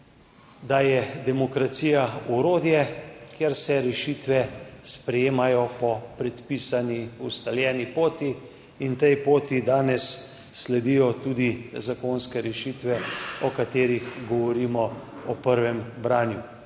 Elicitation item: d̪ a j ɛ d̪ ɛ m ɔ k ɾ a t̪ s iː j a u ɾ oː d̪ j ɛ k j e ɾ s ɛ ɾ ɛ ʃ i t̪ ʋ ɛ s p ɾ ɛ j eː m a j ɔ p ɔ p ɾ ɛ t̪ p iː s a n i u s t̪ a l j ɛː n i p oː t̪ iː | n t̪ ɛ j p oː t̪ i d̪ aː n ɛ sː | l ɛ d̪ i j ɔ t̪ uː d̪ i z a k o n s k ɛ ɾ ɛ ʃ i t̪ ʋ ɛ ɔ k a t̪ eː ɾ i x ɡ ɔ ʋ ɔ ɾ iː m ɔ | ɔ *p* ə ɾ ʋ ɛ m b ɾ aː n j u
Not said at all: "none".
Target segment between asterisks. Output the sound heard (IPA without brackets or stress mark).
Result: p